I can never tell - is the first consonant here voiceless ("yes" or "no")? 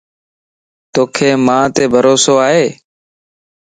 yes